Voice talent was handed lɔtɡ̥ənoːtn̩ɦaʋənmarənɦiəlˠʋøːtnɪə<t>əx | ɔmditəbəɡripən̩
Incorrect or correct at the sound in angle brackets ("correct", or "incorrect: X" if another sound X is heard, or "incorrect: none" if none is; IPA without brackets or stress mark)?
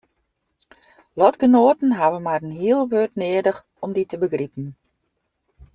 incorrect: d